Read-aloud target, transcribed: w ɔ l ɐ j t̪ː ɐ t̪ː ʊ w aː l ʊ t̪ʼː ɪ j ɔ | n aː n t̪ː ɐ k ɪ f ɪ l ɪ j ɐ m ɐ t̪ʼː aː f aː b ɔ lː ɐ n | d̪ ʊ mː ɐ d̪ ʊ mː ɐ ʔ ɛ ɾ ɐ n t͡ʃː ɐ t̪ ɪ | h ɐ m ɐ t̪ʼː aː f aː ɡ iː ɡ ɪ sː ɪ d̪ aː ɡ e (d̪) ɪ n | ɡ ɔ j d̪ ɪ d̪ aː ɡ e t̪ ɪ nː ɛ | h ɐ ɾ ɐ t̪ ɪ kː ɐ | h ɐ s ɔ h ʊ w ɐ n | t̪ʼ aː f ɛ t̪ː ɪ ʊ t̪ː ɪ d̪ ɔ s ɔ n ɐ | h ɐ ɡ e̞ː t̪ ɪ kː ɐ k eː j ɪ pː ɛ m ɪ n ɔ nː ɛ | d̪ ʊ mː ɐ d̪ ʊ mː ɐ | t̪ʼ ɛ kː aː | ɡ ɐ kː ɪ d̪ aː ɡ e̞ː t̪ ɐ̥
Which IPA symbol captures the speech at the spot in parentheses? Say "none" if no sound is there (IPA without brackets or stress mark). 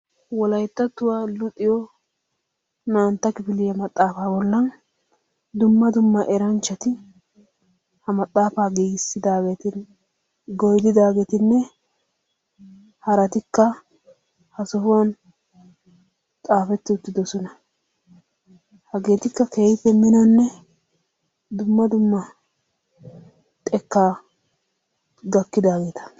t̪